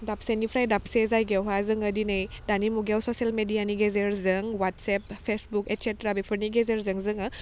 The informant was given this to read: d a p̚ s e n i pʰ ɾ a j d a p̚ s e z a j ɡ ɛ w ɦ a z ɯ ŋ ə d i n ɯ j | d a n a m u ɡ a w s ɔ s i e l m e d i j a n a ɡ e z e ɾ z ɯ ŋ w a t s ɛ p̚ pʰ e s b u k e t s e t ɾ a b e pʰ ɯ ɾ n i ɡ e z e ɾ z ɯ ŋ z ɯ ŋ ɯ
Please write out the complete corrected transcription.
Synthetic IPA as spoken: d a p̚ s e n i pʰ ɾ a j d a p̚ s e z a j ɡ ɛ w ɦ a z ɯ ŋ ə d i n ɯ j | d a n i m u ɡ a w s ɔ s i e l m e d i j a n i ɡ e z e ɾ z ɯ ŋ w a t s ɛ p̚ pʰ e s b u k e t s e t ɾ a b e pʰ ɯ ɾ n i ɡ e z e ɾ z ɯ ŋ z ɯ ŋ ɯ